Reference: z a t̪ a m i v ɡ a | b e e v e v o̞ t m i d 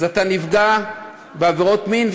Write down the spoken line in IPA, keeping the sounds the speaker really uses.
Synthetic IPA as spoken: z a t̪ a n i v ɡ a | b e a v e ʁ o̞ t m i n